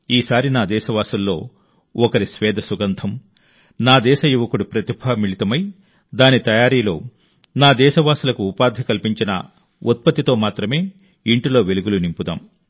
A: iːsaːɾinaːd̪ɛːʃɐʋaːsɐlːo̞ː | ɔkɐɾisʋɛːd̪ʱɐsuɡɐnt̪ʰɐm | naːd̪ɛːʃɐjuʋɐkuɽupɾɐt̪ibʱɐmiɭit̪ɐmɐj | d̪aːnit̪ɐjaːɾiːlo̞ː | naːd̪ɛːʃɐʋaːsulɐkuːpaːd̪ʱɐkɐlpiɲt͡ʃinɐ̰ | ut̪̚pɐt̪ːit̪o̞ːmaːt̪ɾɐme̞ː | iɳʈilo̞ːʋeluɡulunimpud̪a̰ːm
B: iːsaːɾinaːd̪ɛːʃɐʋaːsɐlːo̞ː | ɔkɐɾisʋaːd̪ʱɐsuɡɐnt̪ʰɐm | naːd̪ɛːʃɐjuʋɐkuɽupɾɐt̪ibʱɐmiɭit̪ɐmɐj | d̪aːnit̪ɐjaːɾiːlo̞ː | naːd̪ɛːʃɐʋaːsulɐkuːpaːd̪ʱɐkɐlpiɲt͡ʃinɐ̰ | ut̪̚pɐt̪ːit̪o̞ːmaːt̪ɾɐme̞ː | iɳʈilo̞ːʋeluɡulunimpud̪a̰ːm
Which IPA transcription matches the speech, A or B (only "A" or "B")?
A